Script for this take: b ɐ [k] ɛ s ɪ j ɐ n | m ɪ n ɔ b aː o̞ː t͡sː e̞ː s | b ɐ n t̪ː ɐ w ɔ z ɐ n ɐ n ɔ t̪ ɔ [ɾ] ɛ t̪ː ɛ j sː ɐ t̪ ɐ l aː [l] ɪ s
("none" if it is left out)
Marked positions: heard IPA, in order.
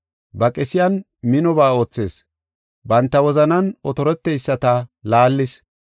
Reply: kʼ, ɾ, lː

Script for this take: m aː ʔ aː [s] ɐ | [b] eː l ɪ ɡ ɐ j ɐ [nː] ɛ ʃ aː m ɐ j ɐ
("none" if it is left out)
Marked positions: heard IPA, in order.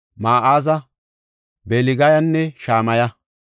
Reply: z, b, nː

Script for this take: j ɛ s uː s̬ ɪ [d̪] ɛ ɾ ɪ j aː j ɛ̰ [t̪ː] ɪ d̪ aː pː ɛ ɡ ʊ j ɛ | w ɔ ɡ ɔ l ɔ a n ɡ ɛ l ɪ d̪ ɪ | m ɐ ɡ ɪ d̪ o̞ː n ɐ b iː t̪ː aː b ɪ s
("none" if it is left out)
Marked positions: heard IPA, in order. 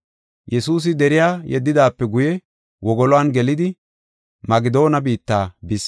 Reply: d̪, d̪ː

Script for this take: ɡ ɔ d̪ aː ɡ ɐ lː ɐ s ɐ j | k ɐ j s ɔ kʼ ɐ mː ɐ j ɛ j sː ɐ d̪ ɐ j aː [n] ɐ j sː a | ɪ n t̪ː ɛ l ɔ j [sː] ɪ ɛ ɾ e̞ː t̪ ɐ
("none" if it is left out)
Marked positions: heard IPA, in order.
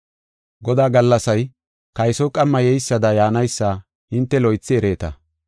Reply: n, t͡sː

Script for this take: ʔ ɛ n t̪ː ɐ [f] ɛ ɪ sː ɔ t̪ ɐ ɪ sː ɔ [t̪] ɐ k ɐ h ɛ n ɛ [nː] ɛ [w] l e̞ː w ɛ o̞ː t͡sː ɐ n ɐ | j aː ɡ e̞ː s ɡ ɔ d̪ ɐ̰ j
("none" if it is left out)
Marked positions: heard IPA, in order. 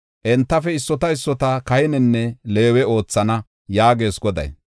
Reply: f, t̪, nː, none

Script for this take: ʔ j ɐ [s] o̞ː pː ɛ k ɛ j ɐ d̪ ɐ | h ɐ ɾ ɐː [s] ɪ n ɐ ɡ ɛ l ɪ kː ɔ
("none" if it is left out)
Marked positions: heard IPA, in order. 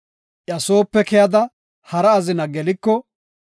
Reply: s, z

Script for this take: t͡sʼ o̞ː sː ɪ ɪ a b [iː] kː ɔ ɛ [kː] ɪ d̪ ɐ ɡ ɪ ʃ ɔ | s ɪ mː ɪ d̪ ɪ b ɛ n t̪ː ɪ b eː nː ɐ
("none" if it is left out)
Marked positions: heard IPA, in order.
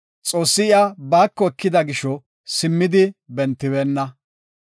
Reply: aː, kː

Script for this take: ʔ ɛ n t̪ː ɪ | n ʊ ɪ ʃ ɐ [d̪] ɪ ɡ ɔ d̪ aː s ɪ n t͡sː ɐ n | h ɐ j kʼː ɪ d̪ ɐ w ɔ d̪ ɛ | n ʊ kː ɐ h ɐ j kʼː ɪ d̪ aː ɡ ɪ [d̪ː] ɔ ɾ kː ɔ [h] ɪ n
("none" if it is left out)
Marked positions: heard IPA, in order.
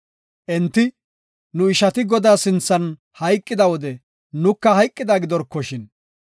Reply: t̪, d̪, ʃ

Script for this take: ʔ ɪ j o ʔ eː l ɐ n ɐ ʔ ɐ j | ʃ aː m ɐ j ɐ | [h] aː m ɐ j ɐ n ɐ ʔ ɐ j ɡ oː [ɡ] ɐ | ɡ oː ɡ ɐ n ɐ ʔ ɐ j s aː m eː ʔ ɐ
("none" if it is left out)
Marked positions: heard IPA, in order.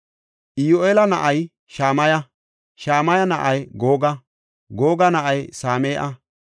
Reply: ʃ, ɡ

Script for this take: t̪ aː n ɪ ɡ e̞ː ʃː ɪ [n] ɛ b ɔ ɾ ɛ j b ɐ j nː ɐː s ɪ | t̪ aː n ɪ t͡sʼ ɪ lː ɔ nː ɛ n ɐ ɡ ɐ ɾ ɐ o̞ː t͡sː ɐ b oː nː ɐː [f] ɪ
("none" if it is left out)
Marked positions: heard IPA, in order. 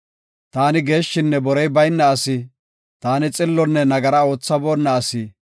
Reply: nː, s

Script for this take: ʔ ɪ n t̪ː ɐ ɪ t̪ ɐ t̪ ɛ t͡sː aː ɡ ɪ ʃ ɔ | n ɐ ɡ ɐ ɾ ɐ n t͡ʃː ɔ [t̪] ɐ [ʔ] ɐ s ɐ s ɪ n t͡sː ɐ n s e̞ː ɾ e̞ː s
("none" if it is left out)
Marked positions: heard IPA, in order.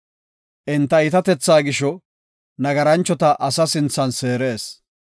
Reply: t̪, ʔ

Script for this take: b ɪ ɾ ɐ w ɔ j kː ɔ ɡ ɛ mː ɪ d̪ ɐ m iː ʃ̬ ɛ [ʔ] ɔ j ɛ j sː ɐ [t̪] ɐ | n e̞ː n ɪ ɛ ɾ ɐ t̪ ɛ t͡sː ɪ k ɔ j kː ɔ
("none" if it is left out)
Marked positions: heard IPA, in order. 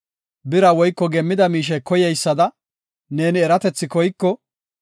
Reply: k, d̪

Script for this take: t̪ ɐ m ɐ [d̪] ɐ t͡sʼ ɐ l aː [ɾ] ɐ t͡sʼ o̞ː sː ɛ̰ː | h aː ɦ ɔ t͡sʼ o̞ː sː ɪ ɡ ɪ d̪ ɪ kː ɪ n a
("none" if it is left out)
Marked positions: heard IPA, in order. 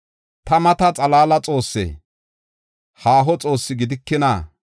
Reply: t̪, l

